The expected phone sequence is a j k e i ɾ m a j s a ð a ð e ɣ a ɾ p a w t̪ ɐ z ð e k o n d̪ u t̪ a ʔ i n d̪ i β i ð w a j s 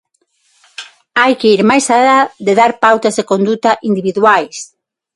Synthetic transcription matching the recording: a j k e i ɾ m a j s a ð a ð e ð a ɾ p a w t̪ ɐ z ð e k o n d̪ u t̪ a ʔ i n d̪ i β i ð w a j s